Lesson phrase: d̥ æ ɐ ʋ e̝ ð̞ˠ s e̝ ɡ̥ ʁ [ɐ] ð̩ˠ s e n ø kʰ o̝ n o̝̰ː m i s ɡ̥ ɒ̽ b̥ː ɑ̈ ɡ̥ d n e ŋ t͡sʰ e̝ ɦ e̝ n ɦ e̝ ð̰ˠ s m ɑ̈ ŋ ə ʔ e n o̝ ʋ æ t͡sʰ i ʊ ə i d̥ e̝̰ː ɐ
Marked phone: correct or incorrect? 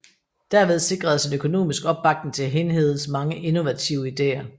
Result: correct